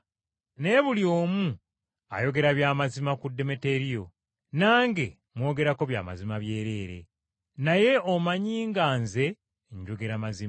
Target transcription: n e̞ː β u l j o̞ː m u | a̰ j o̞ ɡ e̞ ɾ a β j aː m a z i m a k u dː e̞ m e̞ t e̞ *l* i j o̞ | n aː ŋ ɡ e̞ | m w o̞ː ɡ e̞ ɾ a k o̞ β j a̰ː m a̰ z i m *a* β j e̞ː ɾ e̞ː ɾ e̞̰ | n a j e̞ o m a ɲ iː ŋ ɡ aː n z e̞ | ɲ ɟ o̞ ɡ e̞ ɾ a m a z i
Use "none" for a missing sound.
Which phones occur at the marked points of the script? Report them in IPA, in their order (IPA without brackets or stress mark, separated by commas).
ɾ, a